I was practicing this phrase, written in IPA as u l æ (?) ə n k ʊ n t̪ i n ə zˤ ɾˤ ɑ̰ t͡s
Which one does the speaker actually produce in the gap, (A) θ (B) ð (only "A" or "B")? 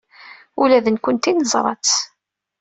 B